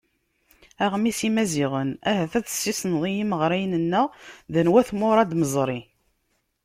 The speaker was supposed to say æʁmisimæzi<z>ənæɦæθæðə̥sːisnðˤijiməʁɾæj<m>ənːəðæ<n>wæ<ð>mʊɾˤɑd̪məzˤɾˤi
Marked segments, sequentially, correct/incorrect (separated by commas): incorrect, incorrect, correct, incorrect